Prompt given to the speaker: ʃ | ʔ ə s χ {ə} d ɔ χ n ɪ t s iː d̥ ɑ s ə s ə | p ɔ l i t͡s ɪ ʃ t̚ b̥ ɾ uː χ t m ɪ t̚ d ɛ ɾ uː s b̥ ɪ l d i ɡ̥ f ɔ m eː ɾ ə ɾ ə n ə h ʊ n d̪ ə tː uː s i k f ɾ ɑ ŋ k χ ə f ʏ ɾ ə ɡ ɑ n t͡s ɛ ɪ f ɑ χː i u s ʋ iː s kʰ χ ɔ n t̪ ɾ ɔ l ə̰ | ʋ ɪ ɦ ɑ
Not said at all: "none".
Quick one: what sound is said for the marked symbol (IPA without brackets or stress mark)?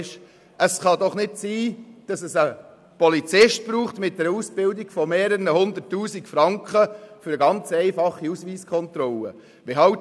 ɑ